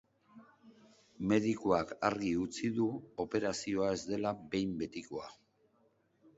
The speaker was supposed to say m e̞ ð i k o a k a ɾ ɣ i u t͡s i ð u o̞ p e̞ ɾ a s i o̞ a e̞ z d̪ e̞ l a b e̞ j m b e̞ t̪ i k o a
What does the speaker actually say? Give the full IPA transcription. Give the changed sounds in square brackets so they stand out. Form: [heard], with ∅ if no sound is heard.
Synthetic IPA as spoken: m e̞ ð i k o a k a ɾ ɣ i u t͡s i ð u o̞ p e̞ ɾ a s i o̞ a e̞ z d̪ e̞ l a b e̞ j m b e̞ t̪ i k o a